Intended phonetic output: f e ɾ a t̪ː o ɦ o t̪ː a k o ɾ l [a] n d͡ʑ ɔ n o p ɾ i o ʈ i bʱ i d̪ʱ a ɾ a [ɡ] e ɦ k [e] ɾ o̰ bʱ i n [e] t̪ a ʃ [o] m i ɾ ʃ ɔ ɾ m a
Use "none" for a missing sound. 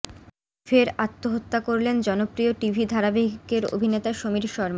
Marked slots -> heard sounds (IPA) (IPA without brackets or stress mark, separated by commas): e, b, e, e, o